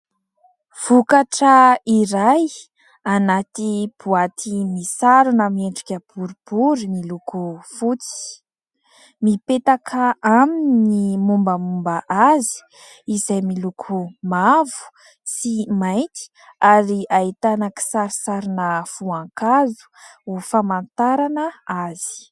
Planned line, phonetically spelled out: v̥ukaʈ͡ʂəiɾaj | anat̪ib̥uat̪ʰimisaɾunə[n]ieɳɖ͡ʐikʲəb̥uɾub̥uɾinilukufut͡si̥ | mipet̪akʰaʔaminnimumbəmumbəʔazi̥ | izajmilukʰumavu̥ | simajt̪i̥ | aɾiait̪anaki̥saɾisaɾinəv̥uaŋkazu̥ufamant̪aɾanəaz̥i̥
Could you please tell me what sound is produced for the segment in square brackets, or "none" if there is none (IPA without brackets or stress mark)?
m